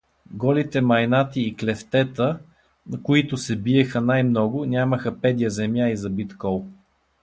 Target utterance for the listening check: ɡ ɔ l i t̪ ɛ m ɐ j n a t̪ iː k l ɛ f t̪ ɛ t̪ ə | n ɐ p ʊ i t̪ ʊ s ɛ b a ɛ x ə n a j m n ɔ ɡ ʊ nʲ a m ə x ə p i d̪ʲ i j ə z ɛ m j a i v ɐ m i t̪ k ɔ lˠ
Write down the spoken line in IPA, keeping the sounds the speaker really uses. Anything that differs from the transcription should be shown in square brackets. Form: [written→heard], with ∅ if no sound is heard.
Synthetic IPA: ɡ ɔ l i t̪ ɛ m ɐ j n a t̪ iː k l ɛ f t̪ ɛ t̪ ə | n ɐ [p→k] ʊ i t̪ ʊ s ɛ b [a→i] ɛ x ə n a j m n ɔ ɡ ʊ nʲ a m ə x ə p [i→ɛ] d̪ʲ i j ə z ɛ m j a i [v→z] ɐ [m→b] i t̪ k ɔ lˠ